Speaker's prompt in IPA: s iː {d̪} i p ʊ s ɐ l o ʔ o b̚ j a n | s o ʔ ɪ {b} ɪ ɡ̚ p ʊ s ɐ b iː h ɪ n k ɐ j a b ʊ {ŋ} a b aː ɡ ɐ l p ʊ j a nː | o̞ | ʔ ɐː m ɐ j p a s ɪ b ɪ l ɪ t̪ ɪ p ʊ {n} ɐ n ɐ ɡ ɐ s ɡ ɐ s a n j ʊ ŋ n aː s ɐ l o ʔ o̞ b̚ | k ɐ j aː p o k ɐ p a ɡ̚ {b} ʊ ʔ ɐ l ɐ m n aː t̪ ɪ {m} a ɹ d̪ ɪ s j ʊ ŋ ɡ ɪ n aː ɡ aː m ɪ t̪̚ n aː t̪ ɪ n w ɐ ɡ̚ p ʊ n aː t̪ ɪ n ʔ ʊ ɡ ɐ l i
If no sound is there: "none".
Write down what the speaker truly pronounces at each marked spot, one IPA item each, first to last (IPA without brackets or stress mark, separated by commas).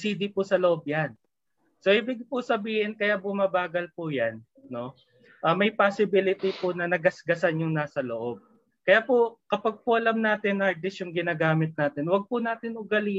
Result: d̪, b, m, n, p, n